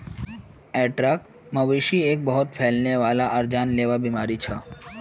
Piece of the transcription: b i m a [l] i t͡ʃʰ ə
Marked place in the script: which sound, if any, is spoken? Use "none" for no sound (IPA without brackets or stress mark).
ɾ